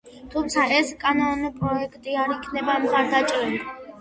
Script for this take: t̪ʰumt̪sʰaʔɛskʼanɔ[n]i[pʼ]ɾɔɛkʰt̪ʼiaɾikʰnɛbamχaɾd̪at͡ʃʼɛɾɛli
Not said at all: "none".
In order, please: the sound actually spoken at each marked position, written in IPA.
n, pʼ

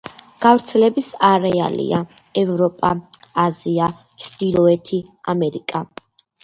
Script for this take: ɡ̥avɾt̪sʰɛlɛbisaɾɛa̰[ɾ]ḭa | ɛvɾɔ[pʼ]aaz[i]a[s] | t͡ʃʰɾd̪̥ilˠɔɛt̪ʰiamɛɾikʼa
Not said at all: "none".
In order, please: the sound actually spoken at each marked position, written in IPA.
l, pʼ, i, none

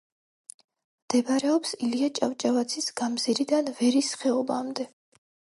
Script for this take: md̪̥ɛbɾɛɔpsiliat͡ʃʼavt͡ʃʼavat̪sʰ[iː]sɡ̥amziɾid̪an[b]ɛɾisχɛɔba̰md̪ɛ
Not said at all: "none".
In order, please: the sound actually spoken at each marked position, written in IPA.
i, v

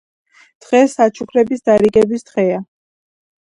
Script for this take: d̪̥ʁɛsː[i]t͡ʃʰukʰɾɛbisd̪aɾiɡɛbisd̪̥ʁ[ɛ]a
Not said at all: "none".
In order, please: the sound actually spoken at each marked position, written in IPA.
a, ɛ

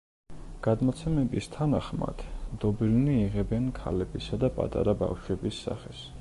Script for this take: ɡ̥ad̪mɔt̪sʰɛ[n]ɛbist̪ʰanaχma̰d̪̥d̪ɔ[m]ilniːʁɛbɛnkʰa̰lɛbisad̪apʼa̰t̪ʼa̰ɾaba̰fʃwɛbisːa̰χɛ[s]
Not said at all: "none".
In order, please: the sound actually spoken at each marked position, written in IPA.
m, b, s

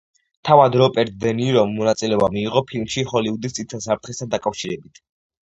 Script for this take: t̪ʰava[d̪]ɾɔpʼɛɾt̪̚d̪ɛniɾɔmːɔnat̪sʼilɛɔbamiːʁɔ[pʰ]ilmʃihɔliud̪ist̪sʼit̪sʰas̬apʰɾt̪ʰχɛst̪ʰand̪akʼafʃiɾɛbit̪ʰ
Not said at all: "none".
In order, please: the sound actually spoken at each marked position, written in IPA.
d̪, pʰ

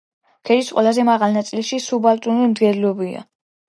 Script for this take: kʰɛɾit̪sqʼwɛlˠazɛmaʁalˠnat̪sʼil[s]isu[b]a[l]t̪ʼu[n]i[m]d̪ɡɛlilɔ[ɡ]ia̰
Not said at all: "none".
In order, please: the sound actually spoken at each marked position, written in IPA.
ʃ, b, l, n, m, b

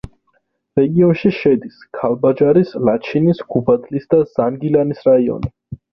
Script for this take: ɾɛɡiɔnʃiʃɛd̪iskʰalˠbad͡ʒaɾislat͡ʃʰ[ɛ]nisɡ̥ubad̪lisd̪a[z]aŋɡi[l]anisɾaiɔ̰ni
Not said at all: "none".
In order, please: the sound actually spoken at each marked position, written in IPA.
i, z, l

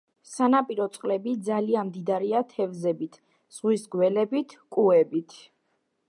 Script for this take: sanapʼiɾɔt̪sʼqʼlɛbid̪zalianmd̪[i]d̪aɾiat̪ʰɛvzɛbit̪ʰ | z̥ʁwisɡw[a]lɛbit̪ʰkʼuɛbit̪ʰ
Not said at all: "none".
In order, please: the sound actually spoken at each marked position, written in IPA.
i, ɛ

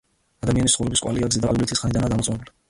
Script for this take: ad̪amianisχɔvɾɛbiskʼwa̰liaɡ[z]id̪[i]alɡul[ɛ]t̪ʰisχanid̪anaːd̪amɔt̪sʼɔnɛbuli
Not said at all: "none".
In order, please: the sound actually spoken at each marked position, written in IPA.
z, a, i

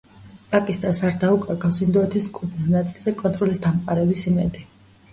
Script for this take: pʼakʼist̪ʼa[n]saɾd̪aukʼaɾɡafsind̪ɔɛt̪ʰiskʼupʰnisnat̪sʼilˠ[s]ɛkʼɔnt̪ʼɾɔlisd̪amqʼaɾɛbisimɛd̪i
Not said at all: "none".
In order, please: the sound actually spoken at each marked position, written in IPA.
n, z

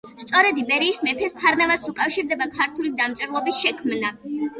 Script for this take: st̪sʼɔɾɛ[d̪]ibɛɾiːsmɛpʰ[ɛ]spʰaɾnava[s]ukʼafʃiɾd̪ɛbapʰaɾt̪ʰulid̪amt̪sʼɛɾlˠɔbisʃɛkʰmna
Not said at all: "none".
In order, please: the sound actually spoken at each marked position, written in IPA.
d̪, ɛ, s

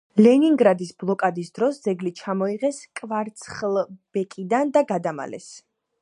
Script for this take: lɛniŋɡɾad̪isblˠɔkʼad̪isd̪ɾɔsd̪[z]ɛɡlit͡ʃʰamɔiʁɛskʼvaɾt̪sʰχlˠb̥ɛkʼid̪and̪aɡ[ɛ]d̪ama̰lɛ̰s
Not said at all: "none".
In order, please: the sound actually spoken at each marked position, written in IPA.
z, a

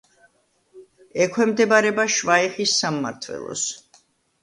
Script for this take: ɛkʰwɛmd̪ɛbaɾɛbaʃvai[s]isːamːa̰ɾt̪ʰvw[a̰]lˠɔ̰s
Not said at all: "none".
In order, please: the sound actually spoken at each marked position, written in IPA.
χ, ɛ̰

